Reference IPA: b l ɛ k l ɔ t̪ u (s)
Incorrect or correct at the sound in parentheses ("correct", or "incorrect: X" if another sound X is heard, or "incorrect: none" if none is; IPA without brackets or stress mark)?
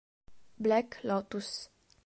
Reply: correct